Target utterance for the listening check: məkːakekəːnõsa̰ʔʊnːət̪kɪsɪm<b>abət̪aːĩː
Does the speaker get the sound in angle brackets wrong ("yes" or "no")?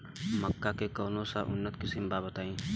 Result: no